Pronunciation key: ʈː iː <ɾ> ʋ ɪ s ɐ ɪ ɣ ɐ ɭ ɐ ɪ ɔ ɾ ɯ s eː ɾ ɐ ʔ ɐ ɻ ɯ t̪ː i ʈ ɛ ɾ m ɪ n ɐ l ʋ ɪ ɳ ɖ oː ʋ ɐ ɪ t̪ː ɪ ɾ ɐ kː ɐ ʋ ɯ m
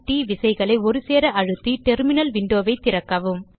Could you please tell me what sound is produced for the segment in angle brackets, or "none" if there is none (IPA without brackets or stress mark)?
none